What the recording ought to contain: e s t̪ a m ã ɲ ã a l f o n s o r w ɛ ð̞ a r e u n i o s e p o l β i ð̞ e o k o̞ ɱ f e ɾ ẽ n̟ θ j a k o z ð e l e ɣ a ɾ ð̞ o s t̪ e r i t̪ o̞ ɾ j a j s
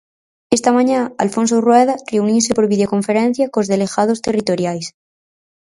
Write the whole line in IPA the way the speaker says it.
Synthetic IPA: e s t̪ a m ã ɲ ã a l f o n s o r w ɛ ð̞ a r e u n i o s e p o ɾ β i ð̞ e o k o̞ ɱ f e ɾ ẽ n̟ θ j a k o z ð e l e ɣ a ð̞ o s t̪ e r i t̪ o̞ ɾ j a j s

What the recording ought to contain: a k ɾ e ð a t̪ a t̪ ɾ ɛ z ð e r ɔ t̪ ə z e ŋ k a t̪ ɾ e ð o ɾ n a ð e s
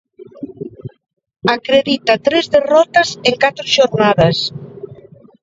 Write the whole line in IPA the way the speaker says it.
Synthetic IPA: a k ɾ e ð i t̪ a t̪ ɾ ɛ z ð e r ɔ t̪ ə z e ŋ k a t̪ ɾ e ʒ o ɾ n a ð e s

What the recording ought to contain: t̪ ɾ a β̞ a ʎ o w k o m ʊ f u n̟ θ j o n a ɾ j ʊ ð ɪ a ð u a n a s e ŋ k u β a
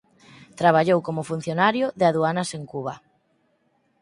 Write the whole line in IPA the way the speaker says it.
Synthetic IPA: t̪ ɾ a β̞ a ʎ o w k o m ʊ f u n̟ θ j o n a ɾ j ʊ ð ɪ a ð u a n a s e ŋ k u β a

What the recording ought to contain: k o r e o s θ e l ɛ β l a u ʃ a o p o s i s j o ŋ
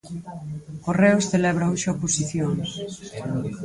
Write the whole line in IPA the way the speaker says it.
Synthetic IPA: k o r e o s θ e l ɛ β ɾ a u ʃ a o p o s i θ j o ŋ

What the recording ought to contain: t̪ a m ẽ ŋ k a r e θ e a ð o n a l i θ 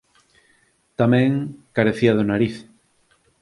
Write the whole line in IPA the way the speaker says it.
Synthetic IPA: t̪ a m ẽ ŋ k a ɾ e θ i a ð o n a ɾ i θ

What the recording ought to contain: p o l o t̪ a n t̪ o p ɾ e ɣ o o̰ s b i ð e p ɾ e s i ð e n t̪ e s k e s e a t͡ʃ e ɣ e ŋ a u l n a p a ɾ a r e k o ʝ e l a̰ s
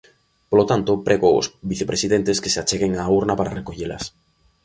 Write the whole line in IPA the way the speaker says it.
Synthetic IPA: p o l o t̪ a n t̪ o p ɾ e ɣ o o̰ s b i θ e p ɾ e s i ð e n t̪ e s k e s e a t͡ʃ e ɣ e ŋ a u ɾ n a p a ɾ a r e k o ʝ e l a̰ s

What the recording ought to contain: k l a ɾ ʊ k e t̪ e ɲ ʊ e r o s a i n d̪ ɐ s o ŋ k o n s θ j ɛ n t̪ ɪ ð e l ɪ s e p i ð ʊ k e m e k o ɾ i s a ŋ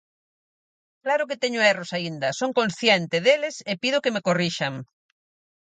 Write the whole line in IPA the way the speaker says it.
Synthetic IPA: k l a ɾ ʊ k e t̪ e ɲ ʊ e r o s a i n d̪ ɐ s o ŋ k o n s θ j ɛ n t̪ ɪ ð e l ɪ s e p i ð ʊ k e m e k o r i ʃ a ŋ

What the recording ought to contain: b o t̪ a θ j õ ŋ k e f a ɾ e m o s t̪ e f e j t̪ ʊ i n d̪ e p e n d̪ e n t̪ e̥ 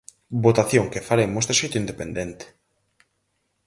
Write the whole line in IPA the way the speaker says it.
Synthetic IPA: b o t̪ a θ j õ ŋ k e f a ɾ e m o s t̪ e ʃ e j t̪ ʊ i n d̪ e p e n d̪ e n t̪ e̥

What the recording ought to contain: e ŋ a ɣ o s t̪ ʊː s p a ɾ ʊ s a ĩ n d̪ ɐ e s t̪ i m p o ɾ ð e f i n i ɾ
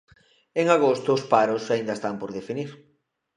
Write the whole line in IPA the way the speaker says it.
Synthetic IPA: e ŋ a ɣ o s t̪ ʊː s p a ɾ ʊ s a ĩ n d̪ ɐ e s t̪ a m p o ɾ ð e f i n i ɾ

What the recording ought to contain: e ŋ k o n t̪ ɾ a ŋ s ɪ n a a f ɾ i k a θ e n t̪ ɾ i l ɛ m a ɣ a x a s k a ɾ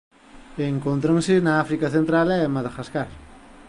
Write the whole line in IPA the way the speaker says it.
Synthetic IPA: e ŋ k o n t̪ ɾ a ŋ s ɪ n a a f ɾ i k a θ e n t̪ ɾ a l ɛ m a ð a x a s k a ɾ

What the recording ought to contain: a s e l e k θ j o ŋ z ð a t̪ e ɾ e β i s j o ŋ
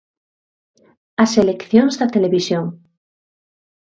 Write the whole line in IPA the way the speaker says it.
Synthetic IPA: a s e l e k θ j o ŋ z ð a t̪ e l e β i s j o ŋ

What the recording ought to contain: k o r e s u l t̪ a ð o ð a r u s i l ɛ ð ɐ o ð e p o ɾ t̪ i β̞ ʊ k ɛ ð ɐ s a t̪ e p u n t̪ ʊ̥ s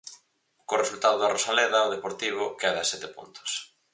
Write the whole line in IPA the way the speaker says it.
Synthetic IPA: k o r e s u l t̪ a ð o ð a r o s a l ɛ ð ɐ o ð e p o ɾ t̪ i β̞ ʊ k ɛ ð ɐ s ɛ t̪ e p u n t̪ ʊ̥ s

